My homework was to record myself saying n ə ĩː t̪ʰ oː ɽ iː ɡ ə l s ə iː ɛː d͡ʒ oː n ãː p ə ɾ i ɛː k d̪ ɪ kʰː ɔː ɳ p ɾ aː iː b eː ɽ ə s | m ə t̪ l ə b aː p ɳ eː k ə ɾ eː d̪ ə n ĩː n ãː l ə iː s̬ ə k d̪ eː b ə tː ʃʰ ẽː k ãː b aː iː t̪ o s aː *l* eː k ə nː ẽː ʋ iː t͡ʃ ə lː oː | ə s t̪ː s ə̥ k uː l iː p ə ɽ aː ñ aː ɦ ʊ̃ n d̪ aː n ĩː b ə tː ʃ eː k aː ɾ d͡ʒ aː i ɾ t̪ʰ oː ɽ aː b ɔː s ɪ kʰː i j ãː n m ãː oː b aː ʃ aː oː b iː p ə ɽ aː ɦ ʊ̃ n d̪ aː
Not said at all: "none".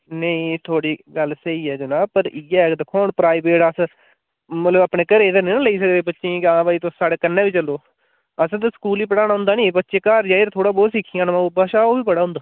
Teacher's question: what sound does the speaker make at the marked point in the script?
ɽ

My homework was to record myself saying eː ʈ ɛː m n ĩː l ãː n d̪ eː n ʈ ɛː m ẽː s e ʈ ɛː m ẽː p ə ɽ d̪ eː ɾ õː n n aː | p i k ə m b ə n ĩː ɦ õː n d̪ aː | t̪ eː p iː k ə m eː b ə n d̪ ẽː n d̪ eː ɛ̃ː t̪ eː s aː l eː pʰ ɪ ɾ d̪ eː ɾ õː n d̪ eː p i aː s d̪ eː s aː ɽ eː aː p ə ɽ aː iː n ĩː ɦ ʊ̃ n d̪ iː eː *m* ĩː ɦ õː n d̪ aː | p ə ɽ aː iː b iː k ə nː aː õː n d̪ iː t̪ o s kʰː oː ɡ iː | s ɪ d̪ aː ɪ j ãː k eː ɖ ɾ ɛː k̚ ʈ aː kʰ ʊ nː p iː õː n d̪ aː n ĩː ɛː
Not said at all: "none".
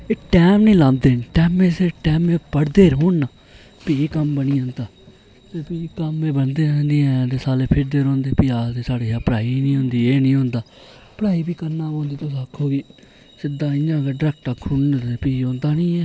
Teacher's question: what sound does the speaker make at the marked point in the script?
n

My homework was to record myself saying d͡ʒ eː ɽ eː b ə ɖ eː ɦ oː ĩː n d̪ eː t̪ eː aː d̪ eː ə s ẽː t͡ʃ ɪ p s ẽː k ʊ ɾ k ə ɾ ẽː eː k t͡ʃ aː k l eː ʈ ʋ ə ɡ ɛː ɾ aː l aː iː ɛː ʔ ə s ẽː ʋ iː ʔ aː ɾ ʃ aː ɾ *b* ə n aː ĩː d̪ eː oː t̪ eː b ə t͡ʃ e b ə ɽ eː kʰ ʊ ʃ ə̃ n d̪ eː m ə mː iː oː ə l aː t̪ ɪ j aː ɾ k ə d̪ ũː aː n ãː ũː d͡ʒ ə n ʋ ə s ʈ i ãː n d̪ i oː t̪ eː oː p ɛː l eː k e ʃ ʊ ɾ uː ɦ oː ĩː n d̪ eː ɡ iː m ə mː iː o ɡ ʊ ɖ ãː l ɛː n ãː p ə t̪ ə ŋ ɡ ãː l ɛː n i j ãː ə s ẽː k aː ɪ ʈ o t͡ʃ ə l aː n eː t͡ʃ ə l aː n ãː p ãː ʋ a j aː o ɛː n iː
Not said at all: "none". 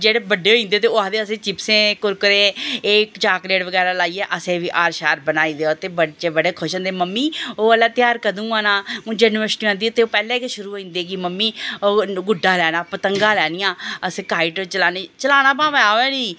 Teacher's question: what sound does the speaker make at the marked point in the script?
b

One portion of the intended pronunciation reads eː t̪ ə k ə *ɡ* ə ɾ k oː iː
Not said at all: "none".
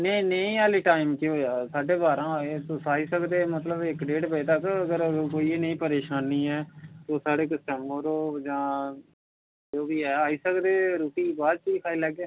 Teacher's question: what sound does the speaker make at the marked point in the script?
ɡ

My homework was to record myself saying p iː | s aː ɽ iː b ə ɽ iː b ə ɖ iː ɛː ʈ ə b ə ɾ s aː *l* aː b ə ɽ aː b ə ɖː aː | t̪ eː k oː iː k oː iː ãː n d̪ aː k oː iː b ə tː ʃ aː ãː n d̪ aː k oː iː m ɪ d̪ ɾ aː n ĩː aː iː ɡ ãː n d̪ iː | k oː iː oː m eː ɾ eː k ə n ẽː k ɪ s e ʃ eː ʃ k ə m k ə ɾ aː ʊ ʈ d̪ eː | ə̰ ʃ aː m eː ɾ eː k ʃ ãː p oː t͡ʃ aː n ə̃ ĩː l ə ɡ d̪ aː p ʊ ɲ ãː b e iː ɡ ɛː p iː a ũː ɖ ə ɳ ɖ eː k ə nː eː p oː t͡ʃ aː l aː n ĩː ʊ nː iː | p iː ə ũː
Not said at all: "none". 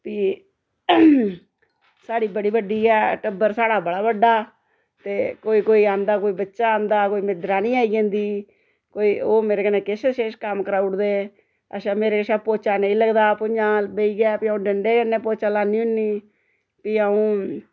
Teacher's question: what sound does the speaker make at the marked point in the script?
ɽ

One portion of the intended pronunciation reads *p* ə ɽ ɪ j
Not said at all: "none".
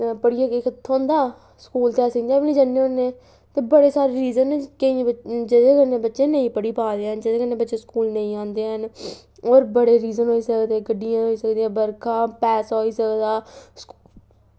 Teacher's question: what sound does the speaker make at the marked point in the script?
p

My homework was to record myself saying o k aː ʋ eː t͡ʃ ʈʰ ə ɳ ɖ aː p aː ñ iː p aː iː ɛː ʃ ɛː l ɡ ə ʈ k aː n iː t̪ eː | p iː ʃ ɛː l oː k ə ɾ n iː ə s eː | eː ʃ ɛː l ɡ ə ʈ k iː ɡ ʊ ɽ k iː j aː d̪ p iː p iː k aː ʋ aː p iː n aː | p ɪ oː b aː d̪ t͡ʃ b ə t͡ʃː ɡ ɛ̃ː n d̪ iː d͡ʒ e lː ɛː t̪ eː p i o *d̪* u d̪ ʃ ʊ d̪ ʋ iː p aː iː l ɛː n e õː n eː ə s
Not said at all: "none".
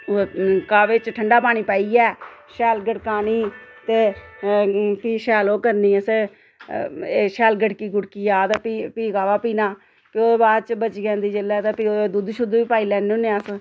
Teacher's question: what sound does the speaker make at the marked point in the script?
d̪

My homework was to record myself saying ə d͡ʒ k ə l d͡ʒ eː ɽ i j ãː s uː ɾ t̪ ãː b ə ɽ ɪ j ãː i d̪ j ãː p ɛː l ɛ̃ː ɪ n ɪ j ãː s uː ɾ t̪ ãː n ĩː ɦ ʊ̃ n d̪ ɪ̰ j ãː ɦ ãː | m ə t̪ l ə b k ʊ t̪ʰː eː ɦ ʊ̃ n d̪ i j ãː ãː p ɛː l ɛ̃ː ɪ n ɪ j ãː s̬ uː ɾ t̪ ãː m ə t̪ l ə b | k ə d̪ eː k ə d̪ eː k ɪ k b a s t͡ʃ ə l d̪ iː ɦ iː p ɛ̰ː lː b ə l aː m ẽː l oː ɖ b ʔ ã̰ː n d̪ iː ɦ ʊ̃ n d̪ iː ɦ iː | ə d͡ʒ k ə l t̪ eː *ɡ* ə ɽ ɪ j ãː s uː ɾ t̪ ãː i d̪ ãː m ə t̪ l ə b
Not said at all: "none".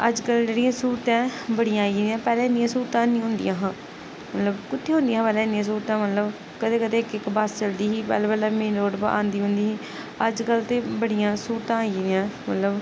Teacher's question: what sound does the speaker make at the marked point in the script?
b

